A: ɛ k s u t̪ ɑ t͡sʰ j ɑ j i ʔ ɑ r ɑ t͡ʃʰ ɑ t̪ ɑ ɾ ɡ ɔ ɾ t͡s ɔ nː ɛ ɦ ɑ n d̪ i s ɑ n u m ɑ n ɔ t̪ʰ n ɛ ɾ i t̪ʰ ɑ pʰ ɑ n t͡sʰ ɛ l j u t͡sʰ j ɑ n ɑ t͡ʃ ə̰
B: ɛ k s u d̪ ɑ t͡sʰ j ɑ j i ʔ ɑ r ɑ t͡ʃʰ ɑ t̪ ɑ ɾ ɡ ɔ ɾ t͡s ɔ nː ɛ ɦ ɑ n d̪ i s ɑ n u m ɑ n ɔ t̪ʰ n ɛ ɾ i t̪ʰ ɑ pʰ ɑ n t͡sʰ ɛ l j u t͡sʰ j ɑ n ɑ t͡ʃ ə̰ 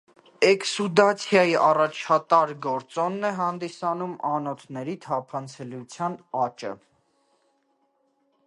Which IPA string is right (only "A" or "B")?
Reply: B